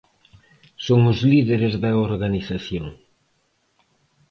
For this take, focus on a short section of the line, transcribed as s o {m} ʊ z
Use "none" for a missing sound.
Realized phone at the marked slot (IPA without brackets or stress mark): ŋ